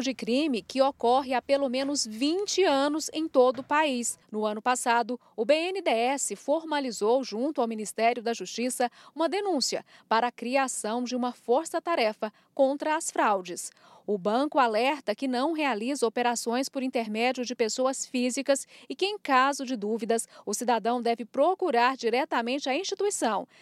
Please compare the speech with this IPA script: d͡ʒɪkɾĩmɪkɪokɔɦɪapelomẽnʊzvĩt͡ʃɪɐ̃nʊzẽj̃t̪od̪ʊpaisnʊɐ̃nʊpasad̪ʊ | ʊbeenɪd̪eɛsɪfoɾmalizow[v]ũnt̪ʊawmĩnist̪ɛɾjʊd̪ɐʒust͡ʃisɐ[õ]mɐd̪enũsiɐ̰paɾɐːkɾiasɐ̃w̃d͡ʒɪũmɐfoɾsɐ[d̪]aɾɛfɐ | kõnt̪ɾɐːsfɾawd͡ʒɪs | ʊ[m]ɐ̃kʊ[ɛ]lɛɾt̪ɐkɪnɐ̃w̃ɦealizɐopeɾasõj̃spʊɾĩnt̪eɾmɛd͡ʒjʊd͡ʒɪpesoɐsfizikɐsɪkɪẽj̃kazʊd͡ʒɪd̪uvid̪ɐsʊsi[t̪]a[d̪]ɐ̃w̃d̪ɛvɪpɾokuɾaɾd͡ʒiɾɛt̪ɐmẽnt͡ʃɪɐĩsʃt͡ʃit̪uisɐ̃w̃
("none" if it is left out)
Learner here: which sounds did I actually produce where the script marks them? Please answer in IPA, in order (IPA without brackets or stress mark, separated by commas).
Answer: ʒ, ũ, t̪, b, a, d̪, d̪